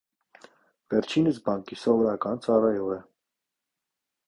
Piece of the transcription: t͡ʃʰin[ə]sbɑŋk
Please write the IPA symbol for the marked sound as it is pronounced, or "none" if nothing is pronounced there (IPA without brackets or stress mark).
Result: ə